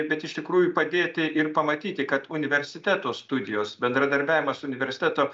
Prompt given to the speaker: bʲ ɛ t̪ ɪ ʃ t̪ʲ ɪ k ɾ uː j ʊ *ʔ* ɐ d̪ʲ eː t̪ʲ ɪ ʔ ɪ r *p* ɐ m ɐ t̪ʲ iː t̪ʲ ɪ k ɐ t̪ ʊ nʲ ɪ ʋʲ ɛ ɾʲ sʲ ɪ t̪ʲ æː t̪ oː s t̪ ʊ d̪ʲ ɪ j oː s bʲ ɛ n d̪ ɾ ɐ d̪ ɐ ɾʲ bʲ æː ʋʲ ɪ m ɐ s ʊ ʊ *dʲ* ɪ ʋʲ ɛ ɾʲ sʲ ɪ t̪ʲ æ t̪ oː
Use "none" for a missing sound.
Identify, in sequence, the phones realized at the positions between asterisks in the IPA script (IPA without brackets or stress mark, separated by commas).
p, p, nʲ